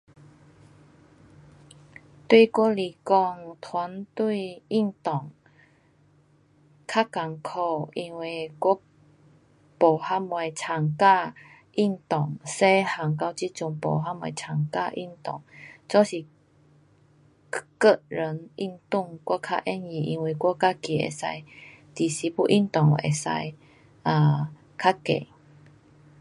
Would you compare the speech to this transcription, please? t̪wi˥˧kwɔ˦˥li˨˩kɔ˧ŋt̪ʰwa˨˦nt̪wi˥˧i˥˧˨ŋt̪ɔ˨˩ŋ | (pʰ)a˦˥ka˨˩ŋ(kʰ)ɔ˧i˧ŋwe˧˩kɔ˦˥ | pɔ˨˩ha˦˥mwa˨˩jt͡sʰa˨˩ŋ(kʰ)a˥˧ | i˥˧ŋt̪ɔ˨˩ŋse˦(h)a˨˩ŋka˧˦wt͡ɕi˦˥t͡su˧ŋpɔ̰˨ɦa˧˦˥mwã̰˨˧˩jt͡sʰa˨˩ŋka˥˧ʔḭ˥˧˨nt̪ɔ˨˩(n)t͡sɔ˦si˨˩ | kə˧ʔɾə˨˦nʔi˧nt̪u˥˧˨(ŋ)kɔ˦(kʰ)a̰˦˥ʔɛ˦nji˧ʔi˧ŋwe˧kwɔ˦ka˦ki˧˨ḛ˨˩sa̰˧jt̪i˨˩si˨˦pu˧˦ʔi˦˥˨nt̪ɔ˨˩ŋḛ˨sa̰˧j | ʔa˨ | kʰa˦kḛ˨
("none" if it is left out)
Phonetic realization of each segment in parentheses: kʰ, kʰ, k, h, ŋ, ŋ, kʰ

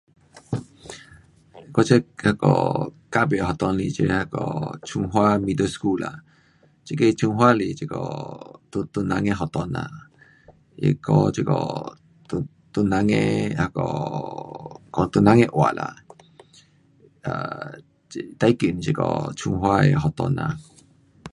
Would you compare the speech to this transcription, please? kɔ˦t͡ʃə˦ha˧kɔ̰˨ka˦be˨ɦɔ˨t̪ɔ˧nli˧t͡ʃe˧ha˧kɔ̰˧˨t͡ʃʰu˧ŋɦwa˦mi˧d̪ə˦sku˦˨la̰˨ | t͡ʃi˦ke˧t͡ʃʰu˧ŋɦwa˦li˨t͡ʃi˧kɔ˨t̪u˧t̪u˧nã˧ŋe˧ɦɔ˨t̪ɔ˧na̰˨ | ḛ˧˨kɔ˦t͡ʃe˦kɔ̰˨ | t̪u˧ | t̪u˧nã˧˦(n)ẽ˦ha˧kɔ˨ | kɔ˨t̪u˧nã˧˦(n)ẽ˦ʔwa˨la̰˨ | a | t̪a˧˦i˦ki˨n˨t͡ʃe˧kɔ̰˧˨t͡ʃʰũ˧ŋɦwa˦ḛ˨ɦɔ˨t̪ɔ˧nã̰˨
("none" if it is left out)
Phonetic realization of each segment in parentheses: ŋ, ŋ

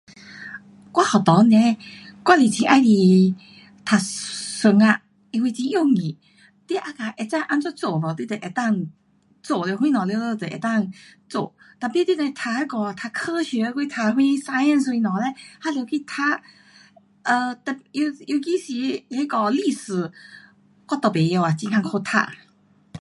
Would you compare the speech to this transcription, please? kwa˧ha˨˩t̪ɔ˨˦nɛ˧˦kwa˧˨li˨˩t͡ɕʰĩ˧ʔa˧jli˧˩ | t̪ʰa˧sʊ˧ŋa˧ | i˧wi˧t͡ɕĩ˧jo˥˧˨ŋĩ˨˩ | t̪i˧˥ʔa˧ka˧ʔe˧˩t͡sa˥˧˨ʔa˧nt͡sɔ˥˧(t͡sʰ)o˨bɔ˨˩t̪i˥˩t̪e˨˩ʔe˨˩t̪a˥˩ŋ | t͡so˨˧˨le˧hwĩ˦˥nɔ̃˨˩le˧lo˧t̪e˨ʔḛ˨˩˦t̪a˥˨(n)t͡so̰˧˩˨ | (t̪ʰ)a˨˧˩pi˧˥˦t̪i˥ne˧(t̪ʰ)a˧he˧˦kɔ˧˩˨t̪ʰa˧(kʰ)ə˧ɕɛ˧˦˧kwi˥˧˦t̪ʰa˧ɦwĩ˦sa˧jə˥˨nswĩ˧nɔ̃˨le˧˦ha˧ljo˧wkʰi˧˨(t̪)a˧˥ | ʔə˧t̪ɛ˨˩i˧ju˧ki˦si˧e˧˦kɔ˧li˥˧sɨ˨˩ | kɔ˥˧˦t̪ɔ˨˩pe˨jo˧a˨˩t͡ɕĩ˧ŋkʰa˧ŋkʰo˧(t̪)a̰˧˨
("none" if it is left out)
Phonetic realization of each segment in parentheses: t͡s, ŋ, t̪, t̪ʰ, kʰ, t̪ʰ, t̪ʰ

